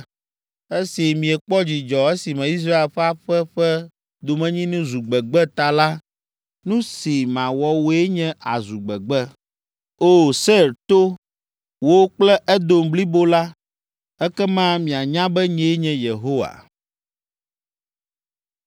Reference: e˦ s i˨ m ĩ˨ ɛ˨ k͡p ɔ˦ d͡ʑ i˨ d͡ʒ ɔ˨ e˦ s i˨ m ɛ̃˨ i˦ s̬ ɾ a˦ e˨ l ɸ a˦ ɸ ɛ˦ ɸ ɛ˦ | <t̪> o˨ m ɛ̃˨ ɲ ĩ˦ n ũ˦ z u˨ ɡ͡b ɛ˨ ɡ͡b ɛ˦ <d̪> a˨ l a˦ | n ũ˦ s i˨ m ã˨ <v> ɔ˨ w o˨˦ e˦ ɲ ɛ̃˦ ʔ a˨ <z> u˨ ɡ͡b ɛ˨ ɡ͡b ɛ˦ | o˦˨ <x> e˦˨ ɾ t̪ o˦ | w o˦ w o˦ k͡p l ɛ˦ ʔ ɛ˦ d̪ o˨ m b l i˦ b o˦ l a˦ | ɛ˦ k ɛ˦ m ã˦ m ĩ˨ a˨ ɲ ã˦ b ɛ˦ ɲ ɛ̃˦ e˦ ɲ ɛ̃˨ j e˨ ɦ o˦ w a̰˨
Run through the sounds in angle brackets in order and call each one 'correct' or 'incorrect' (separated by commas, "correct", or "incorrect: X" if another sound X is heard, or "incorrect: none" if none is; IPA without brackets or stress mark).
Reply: incorrect: d̪, incorrect: t̪, incorrect: w, correct, incorrect: s